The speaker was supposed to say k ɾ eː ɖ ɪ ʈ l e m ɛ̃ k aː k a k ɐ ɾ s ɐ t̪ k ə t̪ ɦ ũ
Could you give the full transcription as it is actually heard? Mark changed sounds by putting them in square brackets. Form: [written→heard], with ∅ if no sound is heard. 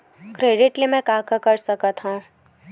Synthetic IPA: k ɾ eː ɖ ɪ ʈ l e m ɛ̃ k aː k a k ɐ ɾ s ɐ [t̪→∅] k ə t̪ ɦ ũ